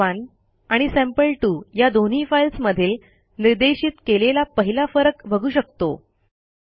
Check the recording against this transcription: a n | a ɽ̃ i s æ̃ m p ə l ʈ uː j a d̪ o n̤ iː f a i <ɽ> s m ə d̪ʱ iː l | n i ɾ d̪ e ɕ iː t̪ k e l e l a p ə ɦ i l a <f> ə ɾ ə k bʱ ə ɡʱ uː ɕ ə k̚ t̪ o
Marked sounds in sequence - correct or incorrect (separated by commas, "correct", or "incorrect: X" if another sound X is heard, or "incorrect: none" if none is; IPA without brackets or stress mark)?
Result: incorrect: l, correct